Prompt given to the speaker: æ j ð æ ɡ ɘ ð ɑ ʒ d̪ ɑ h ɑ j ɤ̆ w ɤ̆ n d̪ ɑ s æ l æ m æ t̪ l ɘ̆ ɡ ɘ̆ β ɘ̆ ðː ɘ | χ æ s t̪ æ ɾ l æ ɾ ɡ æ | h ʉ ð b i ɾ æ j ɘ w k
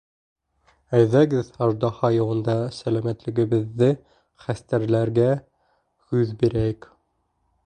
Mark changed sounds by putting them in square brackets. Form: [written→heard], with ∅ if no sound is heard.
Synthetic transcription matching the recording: æ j ð æ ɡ ɘ ð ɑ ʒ d̪ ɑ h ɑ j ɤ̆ w ɤ̆ n d̪ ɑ s æ l æ m æ t̪ l ɘ̆ ɡ ɘ̆ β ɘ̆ ðː ɘ | χ æ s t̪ æ ɾ l æ ɾ ɡ æ | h ʉ ð b i ɾ æ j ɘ [w→∅] k

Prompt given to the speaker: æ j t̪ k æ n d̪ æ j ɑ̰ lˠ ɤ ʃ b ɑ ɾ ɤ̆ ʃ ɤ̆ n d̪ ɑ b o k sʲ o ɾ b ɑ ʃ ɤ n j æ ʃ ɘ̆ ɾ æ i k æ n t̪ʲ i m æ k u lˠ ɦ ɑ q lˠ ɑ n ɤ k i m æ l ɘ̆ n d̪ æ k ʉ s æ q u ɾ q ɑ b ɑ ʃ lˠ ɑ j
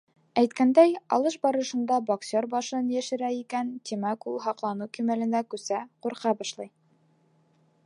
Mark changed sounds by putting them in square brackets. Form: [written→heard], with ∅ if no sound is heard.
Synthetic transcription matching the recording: æ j t̪ k æ n d̪ æ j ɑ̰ lˠ ɤ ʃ b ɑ ɾ ɤ̆ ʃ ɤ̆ n d̪ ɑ b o k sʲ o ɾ b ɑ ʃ ɤ n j æ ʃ ɘ̆ ɾ æ i k æ n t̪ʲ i m æ k u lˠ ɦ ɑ q lˠ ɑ n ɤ k i m æ l ɘ̆ n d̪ æ k ʉ s æ q u ɾ q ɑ b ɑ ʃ lˠ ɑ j

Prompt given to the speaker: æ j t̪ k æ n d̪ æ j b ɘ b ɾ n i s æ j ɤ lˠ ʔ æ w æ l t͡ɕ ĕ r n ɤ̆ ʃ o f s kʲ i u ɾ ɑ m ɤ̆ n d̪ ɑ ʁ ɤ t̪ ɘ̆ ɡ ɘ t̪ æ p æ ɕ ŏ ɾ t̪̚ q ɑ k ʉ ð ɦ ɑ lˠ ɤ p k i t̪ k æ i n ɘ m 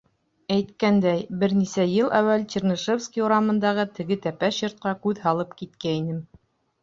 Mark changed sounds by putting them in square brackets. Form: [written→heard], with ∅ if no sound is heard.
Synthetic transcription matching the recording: æ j t̪ k æ n d̪ æ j b ɘ [b→∅] ɾ n i s æ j ɤ lˠ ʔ æ w æ l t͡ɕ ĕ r n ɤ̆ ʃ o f s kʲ i u ɾ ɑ m ɤ̆ n d̪ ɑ ʁ ɤ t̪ ɘ̆ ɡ ɘ t̪ æ p æ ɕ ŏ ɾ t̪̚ q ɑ k ʉ ð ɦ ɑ lˠ ɤ p k i t̪ k æ i n ɘ m

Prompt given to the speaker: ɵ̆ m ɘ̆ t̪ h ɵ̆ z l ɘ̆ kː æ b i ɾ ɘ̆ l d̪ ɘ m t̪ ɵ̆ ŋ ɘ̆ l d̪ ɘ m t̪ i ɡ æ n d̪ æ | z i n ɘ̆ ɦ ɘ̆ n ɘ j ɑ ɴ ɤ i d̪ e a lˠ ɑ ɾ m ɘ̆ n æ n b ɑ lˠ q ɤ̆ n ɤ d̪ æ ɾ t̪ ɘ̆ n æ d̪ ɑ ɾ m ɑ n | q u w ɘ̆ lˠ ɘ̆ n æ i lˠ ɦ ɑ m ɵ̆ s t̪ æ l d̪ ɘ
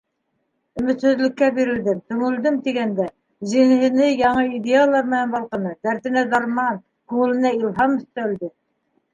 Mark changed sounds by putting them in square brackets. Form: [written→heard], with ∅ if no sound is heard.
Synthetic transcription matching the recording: ɵ̆ m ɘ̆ t̪ h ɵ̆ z l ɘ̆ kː æ b i ɾ ɘ̆ l d̪ ɘ m t̪ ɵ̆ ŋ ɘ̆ l d̪ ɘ m t̪ i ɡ æ n d̪ æ | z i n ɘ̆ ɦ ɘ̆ n ɘ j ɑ ɴ ɤ i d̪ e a lˠ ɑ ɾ m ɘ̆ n æ n b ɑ lˠ q ɤ̆ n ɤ d̪ æ ɾ t̪ ɘ̆ n æ d̪ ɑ ɾ m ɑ n | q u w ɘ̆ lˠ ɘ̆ n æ i lˠ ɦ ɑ m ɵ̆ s t̪ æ l d̪ ɘ

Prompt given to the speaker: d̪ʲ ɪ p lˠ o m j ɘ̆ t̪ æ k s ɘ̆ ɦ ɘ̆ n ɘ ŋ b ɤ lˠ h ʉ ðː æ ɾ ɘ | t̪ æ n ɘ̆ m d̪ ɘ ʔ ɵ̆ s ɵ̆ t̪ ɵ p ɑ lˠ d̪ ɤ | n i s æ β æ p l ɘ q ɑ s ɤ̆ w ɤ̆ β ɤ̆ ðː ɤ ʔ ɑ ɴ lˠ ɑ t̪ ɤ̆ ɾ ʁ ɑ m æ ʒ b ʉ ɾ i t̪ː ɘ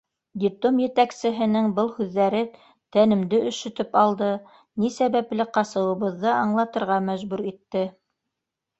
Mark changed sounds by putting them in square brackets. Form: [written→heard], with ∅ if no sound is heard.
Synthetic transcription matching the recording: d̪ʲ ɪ p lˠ o m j ɘ̆ t̪ æ k s ɘ̆ ɦ ɘ̆ n ɘ ŋ b ɤ lˠ h ʉ ðː æ ɾ ɘ | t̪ æ n ɘ̆ m d̪ ɘ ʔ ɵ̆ [s→ʃ] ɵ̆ t̪ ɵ p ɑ lˠ d̪ ɤ | n i s æ β æ p l ɘ q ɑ s ɤ̆ w ɤ̆ β ɤ̆ ðː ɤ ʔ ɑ ɴ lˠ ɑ t̪ ɤ̆ ɾ ʁ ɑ m æ ʒ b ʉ ɾ i t̪ː ɘ

